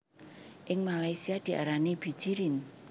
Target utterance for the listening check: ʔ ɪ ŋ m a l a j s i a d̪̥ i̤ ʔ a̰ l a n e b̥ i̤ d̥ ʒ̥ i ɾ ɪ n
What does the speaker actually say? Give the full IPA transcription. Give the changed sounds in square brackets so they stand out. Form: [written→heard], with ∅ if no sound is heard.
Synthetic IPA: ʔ ɪ ŋ m a l a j s i a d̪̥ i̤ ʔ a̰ [l→ɾ] a n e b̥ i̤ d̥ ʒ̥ i ɾ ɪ n